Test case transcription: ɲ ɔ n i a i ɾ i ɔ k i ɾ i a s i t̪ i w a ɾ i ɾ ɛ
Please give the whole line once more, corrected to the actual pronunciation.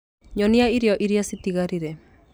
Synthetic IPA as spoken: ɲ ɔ n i a i ɾ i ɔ ʔ i ɾ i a s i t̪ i ɣ a ɾ i ɾ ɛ

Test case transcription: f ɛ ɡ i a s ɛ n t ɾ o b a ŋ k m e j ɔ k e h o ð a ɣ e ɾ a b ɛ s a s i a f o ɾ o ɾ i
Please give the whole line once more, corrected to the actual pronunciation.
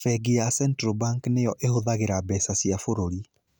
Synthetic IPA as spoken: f ɛ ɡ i a s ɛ n t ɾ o b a ŋ k n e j ɔ ʔ e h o ð a ɣ e ɾ a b ɛ s a s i a f o ɾ o ɾ i

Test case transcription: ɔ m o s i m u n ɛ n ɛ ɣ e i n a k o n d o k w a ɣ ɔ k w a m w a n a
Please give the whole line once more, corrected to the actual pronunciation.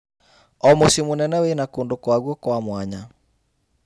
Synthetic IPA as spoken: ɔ m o s i m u n ɛ n ɛ w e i n a k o n d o k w a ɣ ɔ k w a m w a ɲ a

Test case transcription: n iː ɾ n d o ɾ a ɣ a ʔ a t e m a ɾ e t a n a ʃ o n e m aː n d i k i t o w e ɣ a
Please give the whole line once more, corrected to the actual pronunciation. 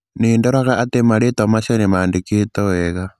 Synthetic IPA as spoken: n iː n d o ɾ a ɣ a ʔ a t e m a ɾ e t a m a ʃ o n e m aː n d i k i t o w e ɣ a

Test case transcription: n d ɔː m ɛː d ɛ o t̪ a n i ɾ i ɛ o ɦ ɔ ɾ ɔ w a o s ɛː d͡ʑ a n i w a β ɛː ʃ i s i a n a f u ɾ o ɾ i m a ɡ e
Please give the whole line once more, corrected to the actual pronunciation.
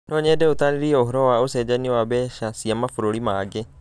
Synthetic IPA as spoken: n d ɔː ɲ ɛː d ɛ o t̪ a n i ɾ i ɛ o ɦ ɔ ɾ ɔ w a o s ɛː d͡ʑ a n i w a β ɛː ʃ a s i a m a f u ɾ o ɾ i m a ɡ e

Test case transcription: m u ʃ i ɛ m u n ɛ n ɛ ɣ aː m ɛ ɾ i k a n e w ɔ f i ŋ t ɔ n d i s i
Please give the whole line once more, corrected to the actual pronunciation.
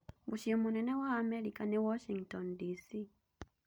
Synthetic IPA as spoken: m u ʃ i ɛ m u n ɛ n ɛ w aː m ɛ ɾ i k a n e w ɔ ʃ i ŋ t ɔ n d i s i

